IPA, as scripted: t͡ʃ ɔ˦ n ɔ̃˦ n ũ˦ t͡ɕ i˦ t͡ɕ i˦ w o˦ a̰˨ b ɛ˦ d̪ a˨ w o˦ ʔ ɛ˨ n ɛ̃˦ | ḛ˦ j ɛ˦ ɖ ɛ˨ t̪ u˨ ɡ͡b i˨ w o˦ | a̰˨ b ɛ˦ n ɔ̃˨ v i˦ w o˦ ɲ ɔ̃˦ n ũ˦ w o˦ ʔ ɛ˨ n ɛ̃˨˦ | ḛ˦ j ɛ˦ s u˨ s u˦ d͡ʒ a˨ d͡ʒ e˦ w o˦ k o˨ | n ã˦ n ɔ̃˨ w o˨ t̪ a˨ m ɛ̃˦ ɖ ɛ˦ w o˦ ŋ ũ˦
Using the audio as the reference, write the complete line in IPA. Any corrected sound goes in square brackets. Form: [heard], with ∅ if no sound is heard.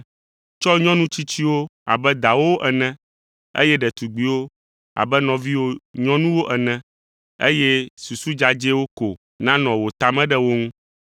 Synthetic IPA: t͡ʃ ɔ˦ [ɲ] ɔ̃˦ n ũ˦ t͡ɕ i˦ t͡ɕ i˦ w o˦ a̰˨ b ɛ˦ d̪ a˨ w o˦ ʔ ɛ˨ n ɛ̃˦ | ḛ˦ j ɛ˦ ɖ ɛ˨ t̪ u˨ ɡ͡b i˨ w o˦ | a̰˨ b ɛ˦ n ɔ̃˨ v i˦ w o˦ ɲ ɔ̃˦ n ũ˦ w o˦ ʔ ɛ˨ n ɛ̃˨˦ | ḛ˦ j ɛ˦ s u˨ s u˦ d͡ʒ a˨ d͡ʒ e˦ w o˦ k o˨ | n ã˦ n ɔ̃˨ w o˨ t̪ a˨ m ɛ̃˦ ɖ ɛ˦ w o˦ ŋ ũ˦